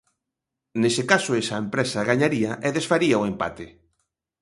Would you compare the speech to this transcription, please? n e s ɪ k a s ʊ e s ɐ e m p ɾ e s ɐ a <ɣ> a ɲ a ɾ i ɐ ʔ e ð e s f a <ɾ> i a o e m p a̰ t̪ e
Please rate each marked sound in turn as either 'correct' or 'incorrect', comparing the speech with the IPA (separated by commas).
correct, correct